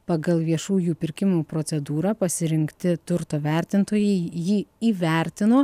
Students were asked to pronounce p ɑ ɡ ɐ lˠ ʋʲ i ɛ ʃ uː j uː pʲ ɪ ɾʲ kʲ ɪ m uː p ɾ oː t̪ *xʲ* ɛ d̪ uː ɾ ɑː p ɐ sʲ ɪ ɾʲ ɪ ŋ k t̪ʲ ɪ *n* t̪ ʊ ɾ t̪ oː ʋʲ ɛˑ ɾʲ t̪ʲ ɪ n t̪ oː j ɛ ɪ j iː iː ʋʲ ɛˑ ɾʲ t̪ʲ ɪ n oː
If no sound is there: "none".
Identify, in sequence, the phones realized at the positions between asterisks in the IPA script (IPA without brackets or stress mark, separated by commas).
sʲ, none